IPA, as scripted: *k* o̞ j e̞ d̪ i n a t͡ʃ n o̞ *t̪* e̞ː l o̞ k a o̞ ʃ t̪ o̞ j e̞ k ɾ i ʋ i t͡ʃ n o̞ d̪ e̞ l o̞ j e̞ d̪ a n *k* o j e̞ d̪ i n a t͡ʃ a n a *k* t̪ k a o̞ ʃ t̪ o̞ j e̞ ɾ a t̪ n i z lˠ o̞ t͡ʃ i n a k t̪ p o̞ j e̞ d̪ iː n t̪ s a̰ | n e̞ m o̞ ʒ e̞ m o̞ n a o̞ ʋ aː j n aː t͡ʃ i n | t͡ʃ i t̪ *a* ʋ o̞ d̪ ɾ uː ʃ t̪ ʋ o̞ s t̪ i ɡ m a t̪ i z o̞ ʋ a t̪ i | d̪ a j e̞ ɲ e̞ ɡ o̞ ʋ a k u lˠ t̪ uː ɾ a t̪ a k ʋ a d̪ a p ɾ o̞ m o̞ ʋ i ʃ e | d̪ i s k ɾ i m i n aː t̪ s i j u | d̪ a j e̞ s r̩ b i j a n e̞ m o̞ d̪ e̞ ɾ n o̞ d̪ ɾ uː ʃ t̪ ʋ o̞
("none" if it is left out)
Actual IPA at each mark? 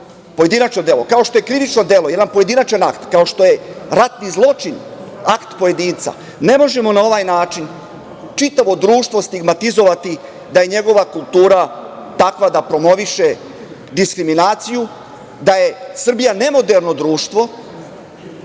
p, d̪, p, k, a

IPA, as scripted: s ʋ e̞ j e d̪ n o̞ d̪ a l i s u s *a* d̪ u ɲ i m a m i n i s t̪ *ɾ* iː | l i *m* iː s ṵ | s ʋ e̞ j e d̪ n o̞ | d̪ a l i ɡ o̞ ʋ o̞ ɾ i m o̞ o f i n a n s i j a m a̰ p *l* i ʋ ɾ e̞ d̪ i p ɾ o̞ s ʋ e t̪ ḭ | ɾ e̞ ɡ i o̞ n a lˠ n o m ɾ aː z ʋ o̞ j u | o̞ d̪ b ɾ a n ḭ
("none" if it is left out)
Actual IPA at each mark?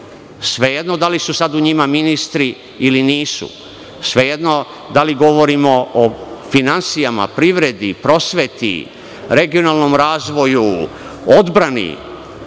a, ɾ, n, ɾ

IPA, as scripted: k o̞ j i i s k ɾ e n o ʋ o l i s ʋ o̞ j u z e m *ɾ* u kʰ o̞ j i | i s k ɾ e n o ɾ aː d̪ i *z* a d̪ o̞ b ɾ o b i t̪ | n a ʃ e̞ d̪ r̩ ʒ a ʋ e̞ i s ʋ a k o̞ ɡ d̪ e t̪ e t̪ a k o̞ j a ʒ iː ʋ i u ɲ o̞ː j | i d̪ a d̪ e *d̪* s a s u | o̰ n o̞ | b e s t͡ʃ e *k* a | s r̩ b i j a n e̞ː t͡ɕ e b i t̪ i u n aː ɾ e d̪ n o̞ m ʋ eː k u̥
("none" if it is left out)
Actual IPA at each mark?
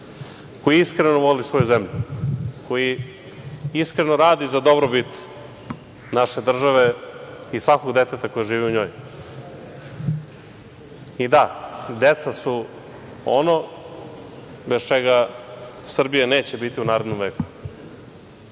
ʎ, z, t̪, ɡ

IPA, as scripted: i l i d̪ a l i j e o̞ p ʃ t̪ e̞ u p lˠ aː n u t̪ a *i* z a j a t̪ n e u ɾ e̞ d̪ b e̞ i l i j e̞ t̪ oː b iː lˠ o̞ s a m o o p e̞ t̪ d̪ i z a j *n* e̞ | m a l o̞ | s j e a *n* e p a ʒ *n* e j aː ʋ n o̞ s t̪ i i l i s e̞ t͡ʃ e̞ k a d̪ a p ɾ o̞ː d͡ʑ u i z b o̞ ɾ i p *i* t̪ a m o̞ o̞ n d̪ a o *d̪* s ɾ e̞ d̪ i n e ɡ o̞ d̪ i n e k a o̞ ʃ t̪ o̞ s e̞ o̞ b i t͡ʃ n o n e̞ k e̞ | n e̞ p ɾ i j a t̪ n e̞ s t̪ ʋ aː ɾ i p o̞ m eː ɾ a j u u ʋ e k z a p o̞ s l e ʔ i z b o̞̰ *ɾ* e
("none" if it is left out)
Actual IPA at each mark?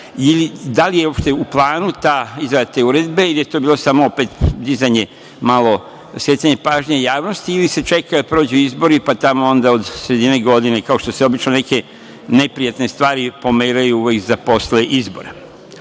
i, ɲ, ɲ, ɲ, a, d̪, ɾ

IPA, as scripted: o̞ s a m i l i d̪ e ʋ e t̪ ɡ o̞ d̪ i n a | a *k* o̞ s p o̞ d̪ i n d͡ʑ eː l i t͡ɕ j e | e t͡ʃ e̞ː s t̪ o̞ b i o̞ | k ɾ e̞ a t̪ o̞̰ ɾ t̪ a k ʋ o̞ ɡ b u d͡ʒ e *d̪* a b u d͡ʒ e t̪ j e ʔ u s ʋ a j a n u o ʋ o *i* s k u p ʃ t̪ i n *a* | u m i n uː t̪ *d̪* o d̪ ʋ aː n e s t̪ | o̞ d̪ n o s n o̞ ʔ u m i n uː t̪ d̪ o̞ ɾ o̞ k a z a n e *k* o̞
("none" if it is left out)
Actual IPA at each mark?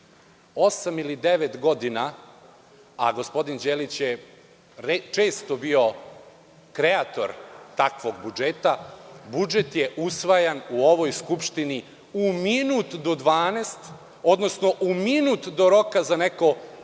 ɡ, t̪, j, i, d̪, k

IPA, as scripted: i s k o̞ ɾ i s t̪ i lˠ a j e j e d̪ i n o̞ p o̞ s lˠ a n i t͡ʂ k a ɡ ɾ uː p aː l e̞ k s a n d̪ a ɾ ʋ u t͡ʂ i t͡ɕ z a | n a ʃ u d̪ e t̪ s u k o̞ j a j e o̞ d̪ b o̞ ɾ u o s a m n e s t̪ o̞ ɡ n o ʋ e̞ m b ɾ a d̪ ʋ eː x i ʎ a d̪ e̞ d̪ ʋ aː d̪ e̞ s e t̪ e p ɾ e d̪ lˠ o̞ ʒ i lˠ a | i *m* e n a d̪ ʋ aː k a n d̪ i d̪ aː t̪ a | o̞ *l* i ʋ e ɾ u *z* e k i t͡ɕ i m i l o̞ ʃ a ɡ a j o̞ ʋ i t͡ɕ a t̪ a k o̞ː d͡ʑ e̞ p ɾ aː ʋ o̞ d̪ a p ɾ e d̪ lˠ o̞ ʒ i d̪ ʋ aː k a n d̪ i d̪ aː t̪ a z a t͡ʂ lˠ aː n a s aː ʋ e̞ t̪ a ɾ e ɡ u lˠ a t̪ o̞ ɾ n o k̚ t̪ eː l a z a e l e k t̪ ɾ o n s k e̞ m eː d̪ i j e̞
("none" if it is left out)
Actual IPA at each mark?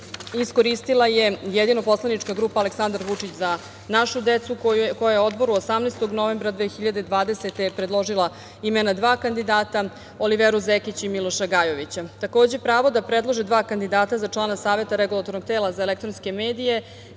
m, l, z

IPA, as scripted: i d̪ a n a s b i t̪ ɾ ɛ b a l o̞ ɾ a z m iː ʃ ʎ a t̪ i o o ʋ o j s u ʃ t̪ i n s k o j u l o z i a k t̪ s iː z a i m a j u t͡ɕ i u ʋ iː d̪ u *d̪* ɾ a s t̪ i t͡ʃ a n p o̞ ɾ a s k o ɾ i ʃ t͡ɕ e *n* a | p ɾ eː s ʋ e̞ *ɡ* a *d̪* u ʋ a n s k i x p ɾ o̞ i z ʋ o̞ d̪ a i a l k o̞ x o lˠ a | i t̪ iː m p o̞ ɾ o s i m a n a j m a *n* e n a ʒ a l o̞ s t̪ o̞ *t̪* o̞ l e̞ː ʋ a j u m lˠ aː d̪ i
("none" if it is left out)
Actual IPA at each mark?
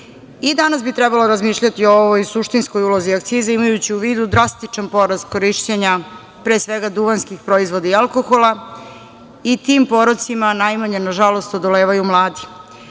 d̪, ɲ, ɡ, d̪, ɲ, d̪

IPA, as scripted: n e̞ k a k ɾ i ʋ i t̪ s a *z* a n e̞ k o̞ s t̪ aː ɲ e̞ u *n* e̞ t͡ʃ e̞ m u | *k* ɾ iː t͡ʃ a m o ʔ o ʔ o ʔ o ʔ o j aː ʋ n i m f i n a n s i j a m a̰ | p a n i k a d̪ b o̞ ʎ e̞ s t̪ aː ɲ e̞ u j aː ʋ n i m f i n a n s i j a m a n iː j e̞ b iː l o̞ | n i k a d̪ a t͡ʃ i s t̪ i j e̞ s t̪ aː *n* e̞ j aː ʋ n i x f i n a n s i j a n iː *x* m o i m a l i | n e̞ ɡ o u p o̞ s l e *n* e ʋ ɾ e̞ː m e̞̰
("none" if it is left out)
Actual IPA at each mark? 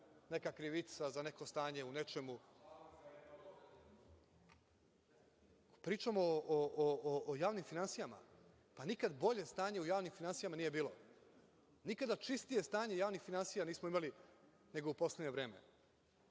z, n, p, ɲ, s, ɲ

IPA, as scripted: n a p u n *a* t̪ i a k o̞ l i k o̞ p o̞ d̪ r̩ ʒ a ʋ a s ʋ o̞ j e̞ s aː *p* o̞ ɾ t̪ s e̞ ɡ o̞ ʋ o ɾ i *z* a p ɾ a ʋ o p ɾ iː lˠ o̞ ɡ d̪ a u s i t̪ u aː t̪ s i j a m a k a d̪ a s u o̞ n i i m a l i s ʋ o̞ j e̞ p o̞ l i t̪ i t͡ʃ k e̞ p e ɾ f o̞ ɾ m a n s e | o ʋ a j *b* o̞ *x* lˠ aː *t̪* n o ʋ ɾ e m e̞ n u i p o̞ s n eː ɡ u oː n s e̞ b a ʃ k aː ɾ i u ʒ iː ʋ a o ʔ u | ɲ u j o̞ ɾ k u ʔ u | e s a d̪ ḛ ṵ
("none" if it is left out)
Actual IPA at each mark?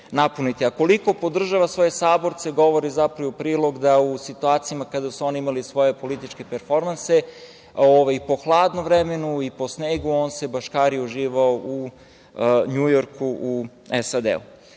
i, b, z, p, x, d̪

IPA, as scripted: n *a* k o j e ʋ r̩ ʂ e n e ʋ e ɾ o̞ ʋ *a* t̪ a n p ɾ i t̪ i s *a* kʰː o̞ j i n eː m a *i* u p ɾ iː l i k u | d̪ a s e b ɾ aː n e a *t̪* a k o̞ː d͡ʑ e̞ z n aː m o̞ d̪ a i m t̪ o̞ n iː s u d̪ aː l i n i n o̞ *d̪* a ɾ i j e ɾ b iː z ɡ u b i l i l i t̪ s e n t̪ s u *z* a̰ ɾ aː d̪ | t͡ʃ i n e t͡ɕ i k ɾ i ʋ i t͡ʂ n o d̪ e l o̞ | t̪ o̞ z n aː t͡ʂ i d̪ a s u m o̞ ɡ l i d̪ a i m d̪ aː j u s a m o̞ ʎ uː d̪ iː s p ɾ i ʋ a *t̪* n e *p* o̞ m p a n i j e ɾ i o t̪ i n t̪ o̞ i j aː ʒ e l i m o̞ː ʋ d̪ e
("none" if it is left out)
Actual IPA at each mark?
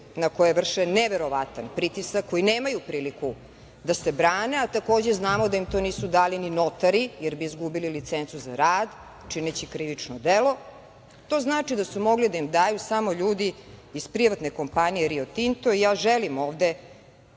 a, a, a, j, t̪, t̪, z, t̪, k

